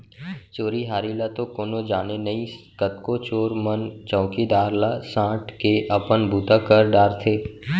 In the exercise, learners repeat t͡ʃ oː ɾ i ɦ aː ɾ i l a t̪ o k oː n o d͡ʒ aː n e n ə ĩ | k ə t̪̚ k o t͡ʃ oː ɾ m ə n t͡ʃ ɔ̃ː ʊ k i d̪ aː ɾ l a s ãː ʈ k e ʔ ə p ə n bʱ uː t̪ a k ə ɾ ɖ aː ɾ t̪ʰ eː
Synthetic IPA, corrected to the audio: t͡ʃ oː ɾ i ɦ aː ɾ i l a t̪ o k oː n o d͡ʒ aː n e n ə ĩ | k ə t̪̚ k o t͡ʃ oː ɾ m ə n t͡ʃ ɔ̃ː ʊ k i d̪ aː ɾ l a s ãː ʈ k e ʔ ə p ə n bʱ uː t̪ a k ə ɾ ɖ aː ɾ t̪ʰ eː